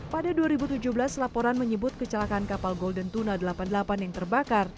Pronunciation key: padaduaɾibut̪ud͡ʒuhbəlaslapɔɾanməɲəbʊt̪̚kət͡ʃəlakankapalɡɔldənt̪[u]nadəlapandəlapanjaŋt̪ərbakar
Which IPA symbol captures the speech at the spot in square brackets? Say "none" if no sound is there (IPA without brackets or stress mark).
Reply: u